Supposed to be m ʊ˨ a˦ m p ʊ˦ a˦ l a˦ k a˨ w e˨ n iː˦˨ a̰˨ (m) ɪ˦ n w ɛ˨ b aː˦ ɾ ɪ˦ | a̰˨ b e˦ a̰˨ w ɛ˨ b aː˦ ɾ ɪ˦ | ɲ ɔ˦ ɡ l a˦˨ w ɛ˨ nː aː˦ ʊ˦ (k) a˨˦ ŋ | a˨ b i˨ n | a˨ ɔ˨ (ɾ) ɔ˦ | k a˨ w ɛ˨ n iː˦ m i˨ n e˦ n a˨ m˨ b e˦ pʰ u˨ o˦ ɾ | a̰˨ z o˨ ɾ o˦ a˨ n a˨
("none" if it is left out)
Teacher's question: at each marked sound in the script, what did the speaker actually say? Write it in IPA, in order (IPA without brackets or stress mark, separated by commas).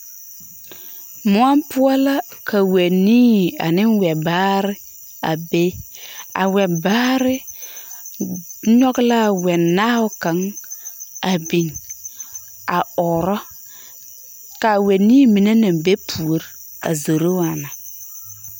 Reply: n, k, ɾ